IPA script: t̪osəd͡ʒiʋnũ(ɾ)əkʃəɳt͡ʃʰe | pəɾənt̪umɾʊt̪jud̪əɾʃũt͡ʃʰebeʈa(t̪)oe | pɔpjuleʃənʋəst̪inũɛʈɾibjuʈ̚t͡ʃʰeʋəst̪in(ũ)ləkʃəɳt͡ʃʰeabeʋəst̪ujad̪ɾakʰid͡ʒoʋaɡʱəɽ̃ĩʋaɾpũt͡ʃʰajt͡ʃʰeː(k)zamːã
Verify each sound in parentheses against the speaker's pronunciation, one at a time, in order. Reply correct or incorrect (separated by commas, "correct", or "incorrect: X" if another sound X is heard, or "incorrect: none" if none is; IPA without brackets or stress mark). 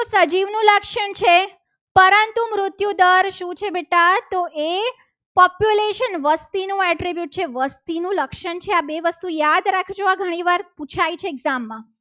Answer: incorrect: l, correct, correct, incorrect: ɡ